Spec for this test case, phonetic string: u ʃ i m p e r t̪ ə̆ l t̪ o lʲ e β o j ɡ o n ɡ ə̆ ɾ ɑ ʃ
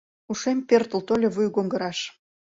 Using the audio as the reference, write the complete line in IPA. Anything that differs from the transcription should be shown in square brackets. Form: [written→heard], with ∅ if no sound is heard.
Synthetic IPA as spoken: u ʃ [i→e] m p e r t̪ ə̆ l t̪ o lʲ e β [o→u] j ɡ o [n→ŋ] ɡ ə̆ ɾ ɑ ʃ